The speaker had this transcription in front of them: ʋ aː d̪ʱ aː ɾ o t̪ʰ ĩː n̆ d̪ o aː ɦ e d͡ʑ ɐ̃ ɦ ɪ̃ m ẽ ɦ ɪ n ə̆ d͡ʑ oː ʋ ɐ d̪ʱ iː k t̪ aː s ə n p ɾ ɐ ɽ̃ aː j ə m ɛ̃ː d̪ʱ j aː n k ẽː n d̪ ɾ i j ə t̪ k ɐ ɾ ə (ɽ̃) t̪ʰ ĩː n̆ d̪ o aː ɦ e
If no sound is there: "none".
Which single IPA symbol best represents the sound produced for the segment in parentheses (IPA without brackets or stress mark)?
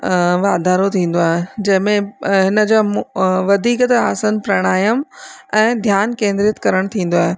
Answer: ɽ̃